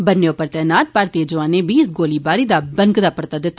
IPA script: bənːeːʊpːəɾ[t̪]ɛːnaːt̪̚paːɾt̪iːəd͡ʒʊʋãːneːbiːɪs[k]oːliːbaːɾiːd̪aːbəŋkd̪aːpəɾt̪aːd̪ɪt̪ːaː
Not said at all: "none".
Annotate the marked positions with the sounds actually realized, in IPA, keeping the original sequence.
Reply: t̪, ɡ

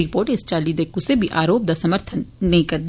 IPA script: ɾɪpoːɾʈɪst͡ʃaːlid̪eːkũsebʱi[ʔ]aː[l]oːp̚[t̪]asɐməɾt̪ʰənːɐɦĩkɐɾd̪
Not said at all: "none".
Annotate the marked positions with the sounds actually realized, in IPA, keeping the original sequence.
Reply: ʔ, ɾ, d̪

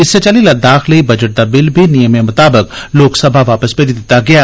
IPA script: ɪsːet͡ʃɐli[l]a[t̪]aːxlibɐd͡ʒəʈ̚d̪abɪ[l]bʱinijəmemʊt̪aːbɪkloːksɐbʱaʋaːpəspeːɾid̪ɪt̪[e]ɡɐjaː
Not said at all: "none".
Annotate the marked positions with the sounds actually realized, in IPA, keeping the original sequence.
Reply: l, d̪, l, a

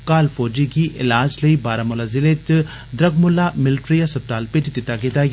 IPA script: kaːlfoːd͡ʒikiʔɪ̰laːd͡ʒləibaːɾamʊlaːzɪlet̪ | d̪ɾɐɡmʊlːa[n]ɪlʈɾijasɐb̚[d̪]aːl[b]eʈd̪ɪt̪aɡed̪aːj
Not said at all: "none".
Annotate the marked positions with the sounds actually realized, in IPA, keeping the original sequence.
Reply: m, t̪, p

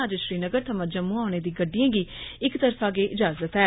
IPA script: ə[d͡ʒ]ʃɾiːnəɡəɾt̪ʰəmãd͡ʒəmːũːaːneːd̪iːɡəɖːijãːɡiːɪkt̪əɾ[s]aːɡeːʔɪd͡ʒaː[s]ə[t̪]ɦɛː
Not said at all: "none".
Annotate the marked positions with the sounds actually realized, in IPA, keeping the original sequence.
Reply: d͡ʒ, f, z, t̪

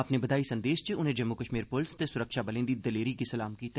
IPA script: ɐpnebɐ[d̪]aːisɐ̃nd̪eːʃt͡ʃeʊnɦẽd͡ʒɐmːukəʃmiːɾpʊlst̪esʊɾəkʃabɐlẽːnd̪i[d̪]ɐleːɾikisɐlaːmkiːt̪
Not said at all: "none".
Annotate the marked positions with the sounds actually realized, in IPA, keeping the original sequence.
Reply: d̪, d̪

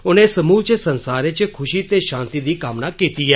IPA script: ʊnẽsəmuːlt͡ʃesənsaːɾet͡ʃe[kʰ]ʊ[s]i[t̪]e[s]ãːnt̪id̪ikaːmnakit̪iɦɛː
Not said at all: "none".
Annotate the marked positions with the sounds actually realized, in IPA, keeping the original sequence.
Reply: kʰ, ʃ, t̪, ʃ

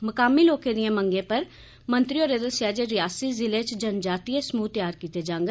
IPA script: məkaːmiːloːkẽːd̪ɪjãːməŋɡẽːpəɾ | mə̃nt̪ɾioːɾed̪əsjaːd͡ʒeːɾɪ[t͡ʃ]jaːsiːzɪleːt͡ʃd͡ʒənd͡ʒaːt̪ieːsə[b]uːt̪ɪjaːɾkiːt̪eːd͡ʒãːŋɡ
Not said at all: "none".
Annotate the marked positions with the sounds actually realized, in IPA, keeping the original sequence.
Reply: none, m

